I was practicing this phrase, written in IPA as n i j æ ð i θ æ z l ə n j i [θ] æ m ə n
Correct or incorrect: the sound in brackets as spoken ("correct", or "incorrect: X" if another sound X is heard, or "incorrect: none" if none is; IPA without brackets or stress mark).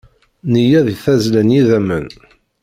incorrect: ð